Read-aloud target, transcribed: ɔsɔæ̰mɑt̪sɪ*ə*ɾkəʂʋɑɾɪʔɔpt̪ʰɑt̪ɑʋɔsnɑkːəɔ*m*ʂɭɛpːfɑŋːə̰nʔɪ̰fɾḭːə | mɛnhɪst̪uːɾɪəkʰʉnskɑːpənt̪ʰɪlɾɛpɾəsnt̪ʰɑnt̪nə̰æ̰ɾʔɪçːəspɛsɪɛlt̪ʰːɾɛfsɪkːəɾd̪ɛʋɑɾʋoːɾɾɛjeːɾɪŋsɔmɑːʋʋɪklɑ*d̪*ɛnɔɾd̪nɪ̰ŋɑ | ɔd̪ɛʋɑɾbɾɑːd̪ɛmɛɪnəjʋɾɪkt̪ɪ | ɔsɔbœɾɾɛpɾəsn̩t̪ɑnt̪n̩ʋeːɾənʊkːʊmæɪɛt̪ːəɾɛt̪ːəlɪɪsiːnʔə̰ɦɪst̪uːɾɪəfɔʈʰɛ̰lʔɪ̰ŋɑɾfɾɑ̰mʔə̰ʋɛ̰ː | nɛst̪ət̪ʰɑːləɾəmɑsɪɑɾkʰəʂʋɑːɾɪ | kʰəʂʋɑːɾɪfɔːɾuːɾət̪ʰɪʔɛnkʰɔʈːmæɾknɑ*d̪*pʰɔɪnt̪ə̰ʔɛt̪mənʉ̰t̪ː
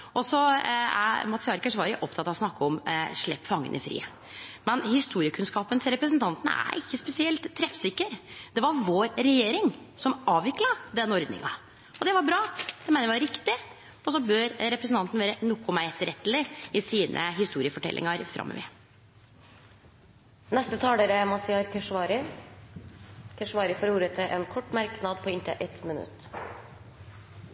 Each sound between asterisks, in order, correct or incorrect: incorrect: ɑ, correct, correct, correct

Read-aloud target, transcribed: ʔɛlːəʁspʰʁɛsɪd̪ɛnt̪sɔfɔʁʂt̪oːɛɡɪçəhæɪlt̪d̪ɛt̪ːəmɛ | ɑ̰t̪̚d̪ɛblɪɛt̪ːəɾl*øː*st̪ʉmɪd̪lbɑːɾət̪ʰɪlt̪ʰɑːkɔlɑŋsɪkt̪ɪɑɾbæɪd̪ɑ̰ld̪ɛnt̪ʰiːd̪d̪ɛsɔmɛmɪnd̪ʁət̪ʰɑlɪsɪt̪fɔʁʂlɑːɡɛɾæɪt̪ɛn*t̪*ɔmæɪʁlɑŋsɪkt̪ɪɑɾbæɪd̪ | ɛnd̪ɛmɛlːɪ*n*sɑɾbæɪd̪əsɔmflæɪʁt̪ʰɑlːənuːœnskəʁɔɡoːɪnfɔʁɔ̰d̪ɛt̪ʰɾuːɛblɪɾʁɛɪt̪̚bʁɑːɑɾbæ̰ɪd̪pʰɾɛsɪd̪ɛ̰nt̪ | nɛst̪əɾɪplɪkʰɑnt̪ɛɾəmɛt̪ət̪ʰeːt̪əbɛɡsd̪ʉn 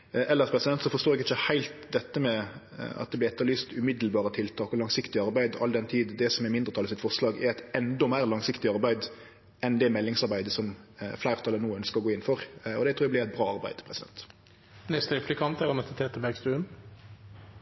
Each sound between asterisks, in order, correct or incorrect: incorrect: yː, incorrect: d̪, incorrect: ŋ

